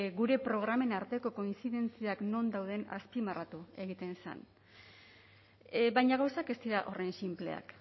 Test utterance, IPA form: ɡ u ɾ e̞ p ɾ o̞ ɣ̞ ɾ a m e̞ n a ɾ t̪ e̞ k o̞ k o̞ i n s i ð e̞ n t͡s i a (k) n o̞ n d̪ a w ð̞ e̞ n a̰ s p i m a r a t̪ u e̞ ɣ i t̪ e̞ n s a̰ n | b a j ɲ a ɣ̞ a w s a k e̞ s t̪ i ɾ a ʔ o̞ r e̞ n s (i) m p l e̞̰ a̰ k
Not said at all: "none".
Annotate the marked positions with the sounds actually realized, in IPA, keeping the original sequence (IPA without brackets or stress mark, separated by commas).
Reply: k, i